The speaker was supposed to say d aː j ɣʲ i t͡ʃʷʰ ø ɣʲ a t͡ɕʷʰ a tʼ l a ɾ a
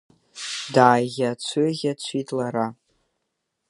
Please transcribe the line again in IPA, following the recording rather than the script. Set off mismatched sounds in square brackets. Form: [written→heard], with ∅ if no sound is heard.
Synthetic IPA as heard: d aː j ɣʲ [i→a] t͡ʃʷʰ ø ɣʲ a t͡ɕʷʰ [a→i] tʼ l a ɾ a

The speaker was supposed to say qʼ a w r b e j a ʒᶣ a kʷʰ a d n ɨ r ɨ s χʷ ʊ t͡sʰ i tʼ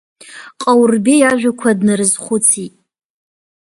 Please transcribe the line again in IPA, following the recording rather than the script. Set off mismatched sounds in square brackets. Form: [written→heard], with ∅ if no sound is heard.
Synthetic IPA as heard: qʼ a w r b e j a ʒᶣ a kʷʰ a d n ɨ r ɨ [s→z] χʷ ʊ t͡sʰ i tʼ

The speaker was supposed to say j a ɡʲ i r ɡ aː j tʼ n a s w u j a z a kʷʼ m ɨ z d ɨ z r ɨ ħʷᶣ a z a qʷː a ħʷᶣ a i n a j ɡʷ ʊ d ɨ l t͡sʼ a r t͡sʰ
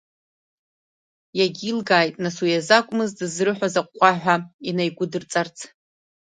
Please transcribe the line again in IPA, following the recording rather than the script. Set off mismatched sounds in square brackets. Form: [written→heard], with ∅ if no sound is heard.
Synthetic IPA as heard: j a ɡʲ i [r→l] ɡ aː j tʼ n a s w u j a z a kʷʼ m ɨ z d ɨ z r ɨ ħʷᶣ a z a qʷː a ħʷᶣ a i n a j ɡʷ ʊ d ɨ [l→r] t͡sʼ a r t͡sʰ

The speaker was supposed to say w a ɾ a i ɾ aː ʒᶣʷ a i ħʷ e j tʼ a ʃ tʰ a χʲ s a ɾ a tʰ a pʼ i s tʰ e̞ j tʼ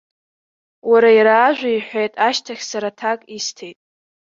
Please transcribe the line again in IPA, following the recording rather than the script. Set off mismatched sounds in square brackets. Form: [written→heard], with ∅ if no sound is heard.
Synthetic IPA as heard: w a ɾ a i ɾ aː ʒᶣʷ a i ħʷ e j tʼ a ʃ tʰ a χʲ s a ɾ a tʰ a [pʼ→kʼ] i s tʰ e̞ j tʼ

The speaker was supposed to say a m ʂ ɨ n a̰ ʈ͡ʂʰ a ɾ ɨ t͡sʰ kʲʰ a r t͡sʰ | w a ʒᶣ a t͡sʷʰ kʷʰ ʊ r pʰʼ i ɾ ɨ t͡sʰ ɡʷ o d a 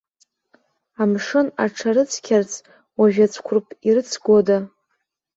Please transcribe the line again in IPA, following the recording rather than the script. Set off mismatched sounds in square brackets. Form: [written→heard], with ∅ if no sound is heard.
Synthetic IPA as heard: a m ʂ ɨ n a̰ ʈ͡ʂʰ a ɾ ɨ t͡sʰ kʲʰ a r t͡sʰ | w a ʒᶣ a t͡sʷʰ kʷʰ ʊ r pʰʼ i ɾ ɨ t͡sʰ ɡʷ o d a

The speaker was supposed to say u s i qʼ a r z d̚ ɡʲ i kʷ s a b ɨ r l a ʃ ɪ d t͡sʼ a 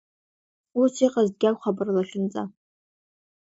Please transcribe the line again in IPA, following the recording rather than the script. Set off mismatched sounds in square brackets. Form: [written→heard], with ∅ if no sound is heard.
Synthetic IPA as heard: u s i qʼ a [r→∅] z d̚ ɡʲ [i→a] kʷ [s→χ] a b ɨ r l a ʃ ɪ [d→n] t͡sʼ a

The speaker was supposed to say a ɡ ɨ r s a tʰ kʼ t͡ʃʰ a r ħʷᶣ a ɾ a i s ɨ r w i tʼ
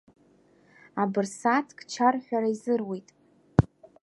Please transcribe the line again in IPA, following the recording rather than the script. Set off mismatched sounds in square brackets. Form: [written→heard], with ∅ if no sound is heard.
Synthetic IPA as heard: a [ɡ→b] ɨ r s a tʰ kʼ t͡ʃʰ a r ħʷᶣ a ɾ a i [s→z] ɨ r w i tʼ

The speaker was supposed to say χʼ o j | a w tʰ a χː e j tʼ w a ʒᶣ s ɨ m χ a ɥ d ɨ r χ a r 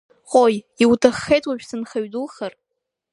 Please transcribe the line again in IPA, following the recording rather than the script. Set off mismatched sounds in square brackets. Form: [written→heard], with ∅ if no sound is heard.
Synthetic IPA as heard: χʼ o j | [a→i] w tʰ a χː e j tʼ w a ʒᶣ s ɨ [m→n] χ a ɥ d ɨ [r→l] χ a r

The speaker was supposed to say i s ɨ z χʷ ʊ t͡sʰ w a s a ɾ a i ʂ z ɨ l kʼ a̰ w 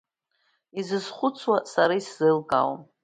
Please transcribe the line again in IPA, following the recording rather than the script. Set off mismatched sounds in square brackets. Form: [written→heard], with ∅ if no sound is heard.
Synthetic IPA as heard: i [s→z] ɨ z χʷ ʊ t͡sʰ w a s a ɾ a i [ʂ→s] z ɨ l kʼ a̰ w

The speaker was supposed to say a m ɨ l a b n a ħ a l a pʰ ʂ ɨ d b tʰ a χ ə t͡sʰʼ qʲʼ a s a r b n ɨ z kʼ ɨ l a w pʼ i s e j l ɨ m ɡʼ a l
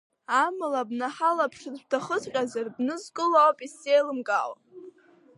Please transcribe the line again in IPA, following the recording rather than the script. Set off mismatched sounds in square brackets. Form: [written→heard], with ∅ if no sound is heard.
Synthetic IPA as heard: a m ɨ l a b n a ħ a l a pʰ ʂ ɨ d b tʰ a χ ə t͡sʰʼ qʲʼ a [s→z] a r b n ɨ z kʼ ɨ l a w pʼ i s e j l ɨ m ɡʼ a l

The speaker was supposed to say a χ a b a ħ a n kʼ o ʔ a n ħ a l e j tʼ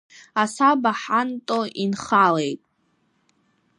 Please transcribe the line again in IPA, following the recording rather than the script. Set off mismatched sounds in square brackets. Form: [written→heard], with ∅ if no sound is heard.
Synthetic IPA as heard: a [χ→s] a b a ħ a n [kʼ→tʼ] o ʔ [a→i] n [ħ→χ] a l e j tʼ

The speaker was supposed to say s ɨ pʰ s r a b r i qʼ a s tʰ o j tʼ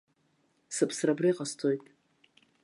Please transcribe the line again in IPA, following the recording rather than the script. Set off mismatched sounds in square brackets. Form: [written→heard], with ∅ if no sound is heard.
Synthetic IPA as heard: s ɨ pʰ s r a b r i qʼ a s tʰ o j tʼ

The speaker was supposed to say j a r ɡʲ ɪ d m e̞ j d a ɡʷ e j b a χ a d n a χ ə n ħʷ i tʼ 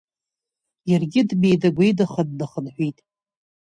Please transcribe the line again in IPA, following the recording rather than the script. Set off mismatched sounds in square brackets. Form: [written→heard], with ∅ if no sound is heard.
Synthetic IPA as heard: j a r ɡʲ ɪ d m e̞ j d a ɡʷ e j [b→d] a χ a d n a χ ə n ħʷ i tʼ

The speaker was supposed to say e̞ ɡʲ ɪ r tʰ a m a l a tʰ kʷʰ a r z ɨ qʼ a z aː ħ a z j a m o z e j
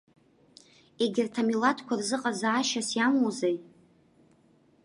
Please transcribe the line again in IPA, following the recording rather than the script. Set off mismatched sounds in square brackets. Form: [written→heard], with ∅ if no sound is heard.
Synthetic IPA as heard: e̞ ɡʲ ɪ r tʰ a m [a→i] l a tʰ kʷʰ a r z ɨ qʼ a z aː [ħ→ʃ] a [z→s] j a m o z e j

